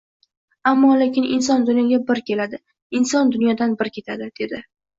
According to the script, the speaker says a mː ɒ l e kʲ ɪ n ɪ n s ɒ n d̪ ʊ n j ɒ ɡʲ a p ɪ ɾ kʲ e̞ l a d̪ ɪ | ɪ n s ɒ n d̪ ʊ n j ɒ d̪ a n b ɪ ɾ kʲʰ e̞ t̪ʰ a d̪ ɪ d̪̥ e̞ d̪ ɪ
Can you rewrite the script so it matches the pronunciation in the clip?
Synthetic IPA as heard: a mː ɒ l e kʲ ɪ n ɪ n s ɒ n d̪ ʊ n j ɒ ɡʲ a b ɪ ɾ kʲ e̞ l a d̪ ɪ | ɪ n s ɒ n d̪ ʊ n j ɒ d̪ a n b ɪ ɾ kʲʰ e̞ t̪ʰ a d̪ ɪ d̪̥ e̞ d̪ ɪ